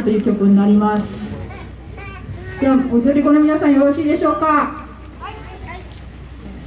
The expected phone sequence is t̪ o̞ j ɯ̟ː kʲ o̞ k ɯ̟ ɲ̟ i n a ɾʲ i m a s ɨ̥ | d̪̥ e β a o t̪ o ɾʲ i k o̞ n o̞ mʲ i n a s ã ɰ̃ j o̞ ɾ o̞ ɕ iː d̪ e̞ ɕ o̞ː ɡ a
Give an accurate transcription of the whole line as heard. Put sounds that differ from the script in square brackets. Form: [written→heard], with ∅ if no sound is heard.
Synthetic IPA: t̪ o̞ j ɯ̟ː kʲ o̞ k ɯ̟ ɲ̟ i n a ɾʲ i m a s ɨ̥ | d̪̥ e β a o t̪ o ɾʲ i k o̞ n o̞ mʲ i n a s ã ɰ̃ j o̞ ɾ o̞ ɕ iː d̪ e̞ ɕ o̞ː [ɡ→k] a